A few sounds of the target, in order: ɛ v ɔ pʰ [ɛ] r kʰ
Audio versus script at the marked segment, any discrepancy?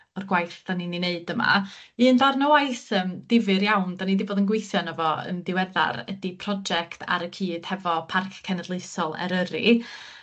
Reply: yes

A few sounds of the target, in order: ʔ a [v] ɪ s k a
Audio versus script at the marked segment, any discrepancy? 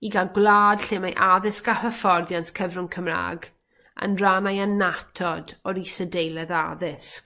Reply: yes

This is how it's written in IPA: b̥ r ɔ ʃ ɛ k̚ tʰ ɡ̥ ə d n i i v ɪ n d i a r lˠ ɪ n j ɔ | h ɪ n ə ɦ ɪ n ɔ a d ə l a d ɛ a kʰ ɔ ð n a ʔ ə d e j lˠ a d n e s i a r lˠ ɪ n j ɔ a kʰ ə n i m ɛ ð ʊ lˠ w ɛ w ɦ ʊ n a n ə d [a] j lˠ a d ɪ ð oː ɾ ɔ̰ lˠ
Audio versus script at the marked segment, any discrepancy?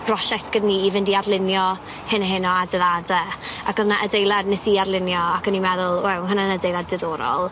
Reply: yes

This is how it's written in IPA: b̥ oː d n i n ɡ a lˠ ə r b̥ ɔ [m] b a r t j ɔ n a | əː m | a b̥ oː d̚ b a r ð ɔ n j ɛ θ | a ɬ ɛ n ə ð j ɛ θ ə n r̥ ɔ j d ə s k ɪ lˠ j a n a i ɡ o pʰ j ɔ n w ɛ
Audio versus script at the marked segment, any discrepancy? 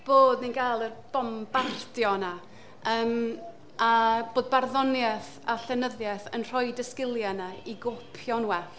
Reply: no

